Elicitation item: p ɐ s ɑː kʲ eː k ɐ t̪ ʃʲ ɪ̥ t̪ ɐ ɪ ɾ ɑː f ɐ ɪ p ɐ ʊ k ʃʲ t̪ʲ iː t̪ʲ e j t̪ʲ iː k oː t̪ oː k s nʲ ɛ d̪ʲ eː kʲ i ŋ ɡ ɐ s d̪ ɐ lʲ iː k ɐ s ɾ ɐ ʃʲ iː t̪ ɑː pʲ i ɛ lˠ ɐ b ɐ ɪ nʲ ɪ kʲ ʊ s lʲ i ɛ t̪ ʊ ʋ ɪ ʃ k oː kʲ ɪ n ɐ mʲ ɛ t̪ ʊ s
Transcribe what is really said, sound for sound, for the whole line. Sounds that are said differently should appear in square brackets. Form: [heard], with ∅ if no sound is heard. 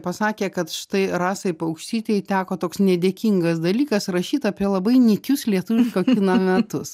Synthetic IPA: p ɐ s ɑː kʲ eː k ɐ t̪ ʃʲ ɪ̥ t̪ ɐ ɪ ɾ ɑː [s] ɐ ɪ p ɐ ʊ k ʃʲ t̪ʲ iː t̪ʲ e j t̪ʲ [æː] k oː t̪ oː k s nʲ ɛ d̪ʲ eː kʲ i ŋ ɡ ɐ s d̪ ɐ lʲ iː k ɐ s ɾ ɐ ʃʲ iː t̪ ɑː pʲ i ɛ lˠ ɐ b ɐ ɪ nʲ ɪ kʲ ʊ s lʲ i ɛ t̪ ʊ ʋ ɪ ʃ k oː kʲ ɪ n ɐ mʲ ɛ t̪ ʊ s